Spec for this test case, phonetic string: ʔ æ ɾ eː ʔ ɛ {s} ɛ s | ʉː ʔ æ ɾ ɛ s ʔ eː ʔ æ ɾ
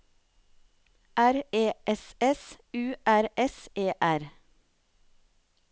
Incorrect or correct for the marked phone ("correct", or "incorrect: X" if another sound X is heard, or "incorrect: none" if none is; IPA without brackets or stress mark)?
correct